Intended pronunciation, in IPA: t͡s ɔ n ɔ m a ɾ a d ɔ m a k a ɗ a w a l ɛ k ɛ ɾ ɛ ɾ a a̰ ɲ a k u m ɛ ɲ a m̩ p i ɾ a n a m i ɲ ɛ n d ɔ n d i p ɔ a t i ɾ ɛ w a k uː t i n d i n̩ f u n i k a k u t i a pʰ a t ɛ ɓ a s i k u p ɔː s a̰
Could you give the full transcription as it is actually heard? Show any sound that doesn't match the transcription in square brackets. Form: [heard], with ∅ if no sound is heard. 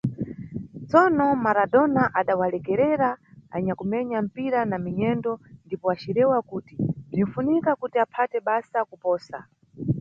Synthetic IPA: t͡s ɔ n ɔ m a ɾ a d ɔ [n] a [ʔ] a ɗ a w a l ɛ k ɛ ɾ ɛ ɾ a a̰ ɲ a k u m ɛ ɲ a m̩ p i ɾ a n a m i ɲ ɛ n d ɔ n d i p ɔ a [t͡ʃ] i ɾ ɛ w a k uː t i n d i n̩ f u n i k a k u t i a pʰ a t ɛ ɓ a s [a] k u p ɔː s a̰